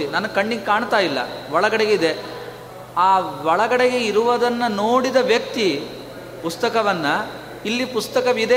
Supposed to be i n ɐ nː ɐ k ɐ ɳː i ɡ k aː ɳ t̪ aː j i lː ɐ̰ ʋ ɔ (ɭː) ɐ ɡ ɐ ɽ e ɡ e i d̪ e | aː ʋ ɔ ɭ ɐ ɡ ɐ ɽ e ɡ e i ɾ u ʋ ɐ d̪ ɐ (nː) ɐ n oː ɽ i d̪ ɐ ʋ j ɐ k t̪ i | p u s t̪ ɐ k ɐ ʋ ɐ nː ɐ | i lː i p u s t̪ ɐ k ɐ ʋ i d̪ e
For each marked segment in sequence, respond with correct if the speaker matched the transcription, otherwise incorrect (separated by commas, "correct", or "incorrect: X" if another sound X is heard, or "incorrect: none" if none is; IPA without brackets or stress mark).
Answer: incorrect: ɭ, correct